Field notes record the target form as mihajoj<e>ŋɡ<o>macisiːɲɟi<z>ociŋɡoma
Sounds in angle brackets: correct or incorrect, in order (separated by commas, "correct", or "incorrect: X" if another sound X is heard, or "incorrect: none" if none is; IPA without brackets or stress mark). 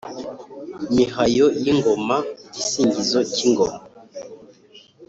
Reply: incorrect: i, correct, correct